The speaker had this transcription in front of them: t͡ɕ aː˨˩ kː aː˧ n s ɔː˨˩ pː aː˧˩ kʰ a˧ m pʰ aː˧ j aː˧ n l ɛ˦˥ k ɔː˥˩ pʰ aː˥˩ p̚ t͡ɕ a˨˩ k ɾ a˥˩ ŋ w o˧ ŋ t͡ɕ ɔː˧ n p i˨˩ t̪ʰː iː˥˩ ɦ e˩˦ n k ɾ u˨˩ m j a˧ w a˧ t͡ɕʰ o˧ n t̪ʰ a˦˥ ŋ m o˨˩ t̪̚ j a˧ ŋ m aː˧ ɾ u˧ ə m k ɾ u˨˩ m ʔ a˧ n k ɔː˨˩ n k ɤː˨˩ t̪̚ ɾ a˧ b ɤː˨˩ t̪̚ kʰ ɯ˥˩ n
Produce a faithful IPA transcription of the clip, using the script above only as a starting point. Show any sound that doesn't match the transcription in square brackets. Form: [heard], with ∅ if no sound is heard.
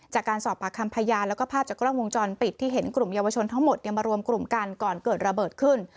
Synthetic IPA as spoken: t͡ɕ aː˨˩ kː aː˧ n s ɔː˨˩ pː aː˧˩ kʰ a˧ m pʰ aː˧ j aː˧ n l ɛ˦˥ k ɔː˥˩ pʰ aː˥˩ p̚ t͡ɕ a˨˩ k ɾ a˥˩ ŋ w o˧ ŋ t͡ɕ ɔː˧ n p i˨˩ t̪ʰː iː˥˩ ɦ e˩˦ n k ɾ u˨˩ m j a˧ w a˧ t͡ɕʰ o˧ n t̪ʰ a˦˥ ŋ m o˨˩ t̪̚ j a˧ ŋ m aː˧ ɾ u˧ ə m k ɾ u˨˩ m [k] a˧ n k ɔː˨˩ n k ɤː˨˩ t̪̚ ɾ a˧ b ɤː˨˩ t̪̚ kʰ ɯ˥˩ n